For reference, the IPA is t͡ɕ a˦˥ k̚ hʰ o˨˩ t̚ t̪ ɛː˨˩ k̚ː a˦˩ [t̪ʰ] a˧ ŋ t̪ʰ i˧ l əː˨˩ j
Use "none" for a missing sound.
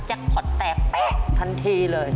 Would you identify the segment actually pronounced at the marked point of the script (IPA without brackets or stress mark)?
t̪ʰ